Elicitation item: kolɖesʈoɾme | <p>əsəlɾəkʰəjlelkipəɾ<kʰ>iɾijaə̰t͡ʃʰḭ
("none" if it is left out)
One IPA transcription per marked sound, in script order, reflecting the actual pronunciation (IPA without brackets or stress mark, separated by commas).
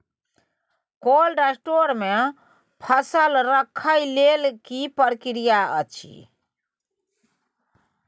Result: pʰ, k